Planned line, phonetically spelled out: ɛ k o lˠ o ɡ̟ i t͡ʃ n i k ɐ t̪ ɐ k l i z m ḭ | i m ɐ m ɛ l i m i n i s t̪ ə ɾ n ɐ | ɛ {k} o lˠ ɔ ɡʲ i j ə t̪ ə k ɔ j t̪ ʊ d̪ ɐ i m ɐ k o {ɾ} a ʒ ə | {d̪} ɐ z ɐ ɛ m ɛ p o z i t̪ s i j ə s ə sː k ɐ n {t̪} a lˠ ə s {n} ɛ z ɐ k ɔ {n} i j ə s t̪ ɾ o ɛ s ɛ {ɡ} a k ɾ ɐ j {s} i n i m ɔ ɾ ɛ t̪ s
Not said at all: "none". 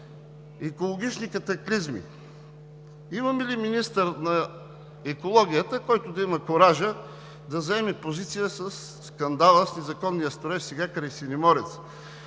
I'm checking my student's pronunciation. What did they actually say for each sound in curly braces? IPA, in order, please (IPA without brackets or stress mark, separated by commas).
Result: k, ɾ, d̪, d̪, n, nː, ɡ, s